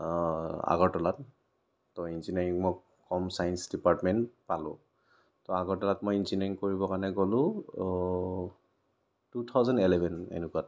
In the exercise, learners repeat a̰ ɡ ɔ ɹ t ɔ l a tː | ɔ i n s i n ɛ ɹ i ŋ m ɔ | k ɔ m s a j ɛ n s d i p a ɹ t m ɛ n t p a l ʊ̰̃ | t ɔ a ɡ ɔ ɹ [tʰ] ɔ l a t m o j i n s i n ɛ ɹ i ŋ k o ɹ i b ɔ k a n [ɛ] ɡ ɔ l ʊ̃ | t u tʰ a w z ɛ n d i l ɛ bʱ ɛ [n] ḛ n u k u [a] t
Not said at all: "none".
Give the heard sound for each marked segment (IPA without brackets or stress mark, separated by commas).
t, ɛ, n, a